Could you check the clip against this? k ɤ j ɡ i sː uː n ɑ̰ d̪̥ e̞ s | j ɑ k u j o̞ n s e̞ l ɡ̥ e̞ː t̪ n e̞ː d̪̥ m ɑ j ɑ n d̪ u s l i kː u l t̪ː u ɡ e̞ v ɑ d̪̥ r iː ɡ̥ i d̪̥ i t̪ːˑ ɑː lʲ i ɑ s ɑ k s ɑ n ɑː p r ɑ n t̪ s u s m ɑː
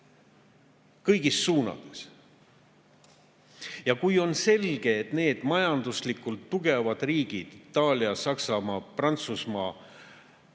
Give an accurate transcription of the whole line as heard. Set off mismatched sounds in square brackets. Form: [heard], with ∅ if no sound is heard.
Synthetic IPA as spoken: k ɤ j ɡ i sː uː n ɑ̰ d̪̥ e̞ s | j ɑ k u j o̞ n s e̞ l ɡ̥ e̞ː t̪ n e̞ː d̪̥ m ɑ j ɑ n d̪ u s l i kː u l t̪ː u ɡ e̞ v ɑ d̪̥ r iː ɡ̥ i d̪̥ i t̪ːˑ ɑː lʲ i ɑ s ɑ k s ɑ [m] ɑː p r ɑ n t̪ s u s m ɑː